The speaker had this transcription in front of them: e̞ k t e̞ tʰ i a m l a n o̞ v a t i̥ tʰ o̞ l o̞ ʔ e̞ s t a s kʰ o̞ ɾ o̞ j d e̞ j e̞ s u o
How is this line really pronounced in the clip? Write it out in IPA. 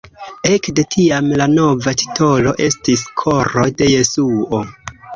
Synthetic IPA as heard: e̞ k d e̞ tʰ i a m l a n o̞ v a t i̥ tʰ o̞ l o̞ ʔ e̞ s t i s kʰ o̞ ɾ o̞ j d e̞ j e̞ s u o